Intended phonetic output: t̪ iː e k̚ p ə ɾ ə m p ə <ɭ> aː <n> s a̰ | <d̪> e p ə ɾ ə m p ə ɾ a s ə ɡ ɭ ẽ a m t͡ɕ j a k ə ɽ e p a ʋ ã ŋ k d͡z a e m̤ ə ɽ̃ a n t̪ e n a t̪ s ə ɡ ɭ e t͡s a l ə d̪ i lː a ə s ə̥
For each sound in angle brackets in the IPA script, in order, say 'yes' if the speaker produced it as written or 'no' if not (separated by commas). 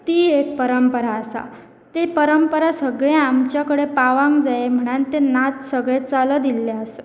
no, no, no